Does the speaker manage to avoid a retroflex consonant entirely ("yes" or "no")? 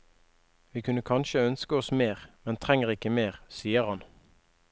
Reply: yes